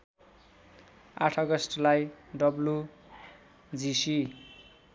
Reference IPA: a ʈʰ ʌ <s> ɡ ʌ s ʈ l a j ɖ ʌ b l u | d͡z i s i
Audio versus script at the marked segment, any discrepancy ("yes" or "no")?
yes